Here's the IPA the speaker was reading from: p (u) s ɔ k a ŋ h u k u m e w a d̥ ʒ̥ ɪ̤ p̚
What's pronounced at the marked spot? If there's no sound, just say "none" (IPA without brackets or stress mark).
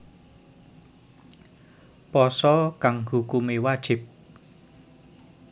ɔ